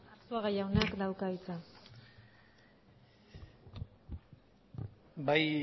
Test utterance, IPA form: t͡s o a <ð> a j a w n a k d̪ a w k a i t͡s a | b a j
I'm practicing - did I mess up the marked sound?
yes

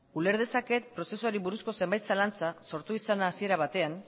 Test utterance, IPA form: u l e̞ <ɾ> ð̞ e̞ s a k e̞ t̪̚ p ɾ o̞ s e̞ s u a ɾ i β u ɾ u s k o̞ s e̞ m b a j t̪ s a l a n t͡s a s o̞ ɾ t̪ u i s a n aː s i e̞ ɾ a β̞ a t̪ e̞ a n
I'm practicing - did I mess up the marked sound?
no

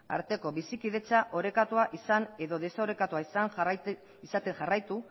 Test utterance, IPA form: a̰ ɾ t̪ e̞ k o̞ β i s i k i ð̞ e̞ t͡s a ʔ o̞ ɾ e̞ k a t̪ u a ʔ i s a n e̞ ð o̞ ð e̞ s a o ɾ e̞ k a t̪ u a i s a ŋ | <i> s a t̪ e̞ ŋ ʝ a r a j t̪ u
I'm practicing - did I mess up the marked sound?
no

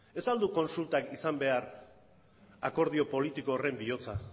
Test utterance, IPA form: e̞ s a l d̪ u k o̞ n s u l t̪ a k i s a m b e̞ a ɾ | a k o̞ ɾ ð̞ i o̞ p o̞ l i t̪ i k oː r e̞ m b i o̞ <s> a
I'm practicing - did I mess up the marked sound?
yes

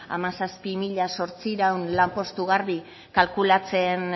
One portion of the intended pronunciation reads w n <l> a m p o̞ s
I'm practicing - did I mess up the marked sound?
no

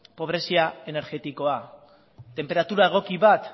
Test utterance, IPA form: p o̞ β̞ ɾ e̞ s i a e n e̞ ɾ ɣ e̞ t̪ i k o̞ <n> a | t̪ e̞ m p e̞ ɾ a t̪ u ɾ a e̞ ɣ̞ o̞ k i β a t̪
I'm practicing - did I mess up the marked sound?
yes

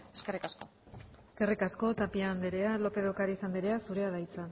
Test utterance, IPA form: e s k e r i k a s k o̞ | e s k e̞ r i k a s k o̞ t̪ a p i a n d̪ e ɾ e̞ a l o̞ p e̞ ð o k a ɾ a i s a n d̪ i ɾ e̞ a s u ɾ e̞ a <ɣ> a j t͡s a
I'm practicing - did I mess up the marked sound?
yes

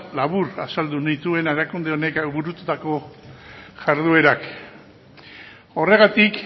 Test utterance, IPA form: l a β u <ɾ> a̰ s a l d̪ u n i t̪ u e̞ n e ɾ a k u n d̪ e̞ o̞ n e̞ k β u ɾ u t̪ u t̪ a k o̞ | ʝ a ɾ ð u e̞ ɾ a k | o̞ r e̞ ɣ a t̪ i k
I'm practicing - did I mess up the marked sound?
no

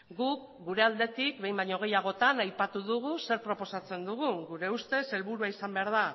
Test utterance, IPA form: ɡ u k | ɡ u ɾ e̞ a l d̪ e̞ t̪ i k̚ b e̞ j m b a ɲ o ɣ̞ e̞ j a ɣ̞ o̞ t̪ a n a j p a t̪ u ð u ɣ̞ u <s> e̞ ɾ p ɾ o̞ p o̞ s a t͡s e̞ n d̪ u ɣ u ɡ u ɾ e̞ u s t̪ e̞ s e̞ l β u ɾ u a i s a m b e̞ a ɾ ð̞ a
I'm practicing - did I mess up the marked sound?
no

